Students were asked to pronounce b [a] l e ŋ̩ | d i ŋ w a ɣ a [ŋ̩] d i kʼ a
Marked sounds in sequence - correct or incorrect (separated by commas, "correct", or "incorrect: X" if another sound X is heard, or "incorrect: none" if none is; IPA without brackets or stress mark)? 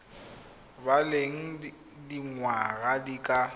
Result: correct, incorrect: none